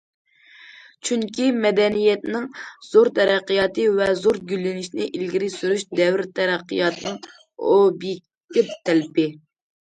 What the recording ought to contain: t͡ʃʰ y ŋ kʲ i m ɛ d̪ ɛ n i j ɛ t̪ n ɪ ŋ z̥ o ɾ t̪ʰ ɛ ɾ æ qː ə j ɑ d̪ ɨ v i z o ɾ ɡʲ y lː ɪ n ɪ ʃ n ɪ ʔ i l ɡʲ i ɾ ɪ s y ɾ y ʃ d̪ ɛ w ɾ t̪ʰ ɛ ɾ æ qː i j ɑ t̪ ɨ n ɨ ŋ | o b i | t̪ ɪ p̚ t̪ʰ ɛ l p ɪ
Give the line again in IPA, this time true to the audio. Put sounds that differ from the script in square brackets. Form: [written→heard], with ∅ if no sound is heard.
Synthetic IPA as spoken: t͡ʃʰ y ŋ kʲ i m ɛ d̪ ɛ n i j ɛ t̪ n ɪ ŋ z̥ o ɾ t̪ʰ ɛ ɾ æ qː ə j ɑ [d̪→t̪] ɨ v [i→ɛ] z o ɾ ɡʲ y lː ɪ n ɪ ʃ n ɪ ʔ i l ɡʲ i ɾ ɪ s y ɾ y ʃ d̪ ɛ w ɾ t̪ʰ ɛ ɾ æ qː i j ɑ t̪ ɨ n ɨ ŋ | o b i | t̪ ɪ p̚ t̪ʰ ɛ l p ɪ